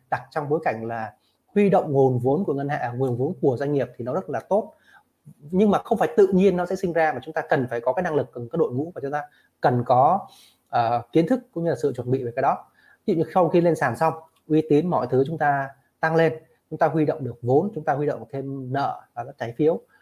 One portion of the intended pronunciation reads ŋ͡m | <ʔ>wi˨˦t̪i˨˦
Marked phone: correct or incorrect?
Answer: correct